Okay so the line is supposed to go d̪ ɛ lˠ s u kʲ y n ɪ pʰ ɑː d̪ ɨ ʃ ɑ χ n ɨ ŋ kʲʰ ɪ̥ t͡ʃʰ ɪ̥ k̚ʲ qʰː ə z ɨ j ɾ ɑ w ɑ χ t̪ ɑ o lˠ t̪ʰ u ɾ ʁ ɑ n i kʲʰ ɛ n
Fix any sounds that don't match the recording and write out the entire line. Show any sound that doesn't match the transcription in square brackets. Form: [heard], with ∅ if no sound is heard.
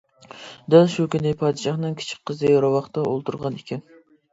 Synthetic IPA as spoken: d̪ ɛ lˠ [ʃ] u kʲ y n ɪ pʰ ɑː d̪ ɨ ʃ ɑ χ n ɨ ŋ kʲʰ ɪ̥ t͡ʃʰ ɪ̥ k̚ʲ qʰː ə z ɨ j ɾ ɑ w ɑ χ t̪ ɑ o lˠ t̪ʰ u ɾ ʁ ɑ n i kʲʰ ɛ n